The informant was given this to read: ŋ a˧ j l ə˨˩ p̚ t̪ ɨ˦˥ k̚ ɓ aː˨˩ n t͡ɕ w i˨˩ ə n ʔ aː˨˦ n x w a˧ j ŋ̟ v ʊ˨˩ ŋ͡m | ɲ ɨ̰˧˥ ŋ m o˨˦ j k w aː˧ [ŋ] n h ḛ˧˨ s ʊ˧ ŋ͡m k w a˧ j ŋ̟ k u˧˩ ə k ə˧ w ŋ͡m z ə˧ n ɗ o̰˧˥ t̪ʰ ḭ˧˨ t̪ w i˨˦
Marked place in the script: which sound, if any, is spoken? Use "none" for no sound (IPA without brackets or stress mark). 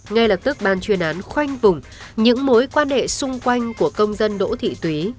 none